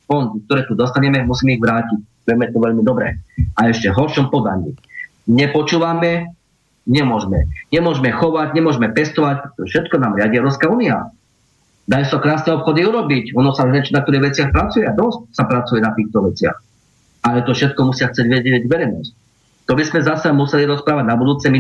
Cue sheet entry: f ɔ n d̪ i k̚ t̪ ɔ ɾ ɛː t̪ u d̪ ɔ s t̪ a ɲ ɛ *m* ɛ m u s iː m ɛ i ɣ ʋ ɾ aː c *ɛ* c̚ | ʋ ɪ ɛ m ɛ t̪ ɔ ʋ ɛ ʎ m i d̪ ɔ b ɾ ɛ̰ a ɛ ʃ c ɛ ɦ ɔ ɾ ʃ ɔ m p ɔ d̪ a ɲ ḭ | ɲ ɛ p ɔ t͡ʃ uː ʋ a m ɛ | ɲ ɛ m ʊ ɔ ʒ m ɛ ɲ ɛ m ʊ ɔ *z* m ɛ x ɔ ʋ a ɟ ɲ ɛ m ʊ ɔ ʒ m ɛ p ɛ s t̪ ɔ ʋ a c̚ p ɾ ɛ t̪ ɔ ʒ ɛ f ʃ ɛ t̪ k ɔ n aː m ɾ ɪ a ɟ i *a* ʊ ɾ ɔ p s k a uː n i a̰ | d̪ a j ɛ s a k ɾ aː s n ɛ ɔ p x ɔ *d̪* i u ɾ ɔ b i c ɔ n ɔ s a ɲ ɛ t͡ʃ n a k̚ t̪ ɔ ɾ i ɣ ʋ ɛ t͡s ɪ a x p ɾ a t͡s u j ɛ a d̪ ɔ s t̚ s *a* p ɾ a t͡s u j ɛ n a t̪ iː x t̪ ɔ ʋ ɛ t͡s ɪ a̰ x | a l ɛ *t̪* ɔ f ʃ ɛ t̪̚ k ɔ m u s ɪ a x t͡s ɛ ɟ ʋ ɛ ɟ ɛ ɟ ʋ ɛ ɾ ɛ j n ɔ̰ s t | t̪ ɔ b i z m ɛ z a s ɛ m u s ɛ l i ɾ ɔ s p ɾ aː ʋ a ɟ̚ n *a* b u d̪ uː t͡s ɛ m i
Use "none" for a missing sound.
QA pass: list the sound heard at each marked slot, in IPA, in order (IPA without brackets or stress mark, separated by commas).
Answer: m, i, ʒ, ɛ, d̪, a, t̪, a